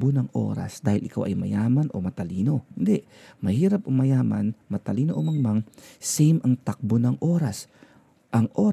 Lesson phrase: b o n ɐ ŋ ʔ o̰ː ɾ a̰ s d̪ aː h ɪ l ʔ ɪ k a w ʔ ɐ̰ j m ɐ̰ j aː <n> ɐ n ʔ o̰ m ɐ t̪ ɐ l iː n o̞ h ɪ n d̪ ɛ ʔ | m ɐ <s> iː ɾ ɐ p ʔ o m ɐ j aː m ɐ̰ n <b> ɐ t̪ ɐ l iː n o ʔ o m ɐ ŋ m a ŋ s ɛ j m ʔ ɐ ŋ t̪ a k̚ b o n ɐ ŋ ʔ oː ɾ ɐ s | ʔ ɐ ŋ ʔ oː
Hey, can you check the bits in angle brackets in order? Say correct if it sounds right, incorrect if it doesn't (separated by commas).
incorrect, incorrect, incorrect